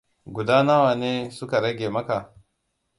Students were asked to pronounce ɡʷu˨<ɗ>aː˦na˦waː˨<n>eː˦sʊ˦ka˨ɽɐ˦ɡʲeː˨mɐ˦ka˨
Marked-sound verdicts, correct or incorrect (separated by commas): incorrect, correct